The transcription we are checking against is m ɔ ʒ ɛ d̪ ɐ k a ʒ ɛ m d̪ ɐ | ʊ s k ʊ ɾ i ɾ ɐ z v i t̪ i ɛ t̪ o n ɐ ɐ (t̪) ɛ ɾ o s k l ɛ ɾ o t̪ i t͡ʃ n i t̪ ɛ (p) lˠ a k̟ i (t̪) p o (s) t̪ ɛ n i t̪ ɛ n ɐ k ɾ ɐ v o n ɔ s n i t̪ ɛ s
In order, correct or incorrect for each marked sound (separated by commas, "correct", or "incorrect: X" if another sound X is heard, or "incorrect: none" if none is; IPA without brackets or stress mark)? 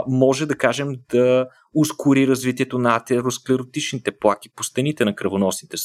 correct, correct, incorrect: none, correct